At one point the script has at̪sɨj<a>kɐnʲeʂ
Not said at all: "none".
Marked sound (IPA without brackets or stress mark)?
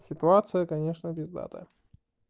ə